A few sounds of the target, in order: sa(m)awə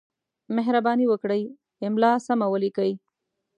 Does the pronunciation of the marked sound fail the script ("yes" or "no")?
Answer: no